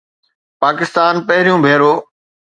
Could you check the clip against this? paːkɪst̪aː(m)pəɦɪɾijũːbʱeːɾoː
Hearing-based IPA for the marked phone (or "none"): n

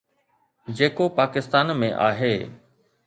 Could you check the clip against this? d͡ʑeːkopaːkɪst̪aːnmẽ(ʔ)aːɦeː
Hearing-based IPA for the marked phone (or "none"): ʔ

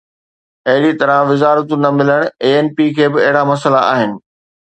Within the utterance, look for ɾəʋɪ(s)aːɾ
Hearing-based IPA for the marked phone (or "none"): z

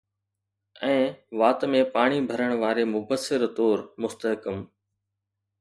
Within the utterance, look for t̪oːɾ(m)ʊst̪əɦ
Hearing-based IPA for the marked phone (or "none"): m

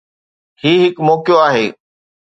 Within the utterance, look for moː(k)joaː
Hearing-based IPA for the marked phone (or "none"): k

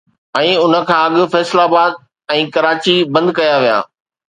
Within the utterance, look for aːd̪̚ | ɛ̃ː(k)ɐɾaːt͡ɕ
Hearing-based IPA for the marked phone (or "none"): k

